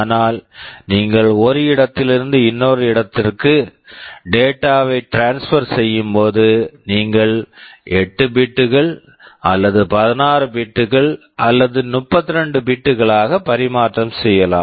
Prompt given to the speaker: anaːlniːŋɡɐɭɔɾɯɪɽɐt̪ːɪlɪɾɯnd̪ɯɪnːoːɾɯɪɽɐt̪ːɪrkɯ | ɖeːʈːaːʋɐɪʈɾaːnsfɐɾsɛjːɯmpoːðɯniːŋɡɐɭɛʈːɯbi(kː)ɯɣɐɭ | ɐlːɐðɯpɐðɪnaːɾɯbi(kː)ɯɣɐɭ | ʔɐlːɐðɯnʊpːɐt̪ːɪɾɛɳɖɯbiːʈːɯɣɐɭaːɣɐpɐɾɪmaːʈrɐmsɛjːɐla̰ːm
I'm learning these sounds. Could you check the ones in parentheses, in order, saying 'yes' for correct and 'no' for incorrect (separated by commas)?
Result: no, no